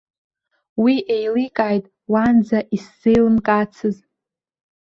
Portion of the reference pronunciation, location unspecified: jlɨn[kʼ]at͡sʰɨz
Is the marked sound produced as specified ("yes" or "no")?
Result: yes